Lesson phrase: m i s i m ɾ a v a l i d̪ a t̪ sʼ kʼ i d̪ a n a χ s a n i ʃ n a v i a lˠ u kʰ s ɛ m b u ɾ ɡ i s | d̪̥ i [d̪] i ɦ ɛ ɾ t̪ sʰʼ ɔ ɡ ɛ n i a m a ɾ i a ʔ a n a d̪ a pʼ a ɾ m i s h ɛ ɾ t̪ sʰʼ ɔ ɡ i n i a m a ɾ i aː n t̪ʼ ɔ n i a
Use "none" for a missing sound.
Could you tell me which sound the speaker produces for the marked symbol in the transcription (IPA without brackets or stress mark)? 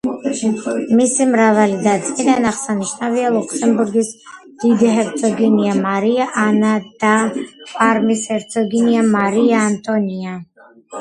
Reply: d̪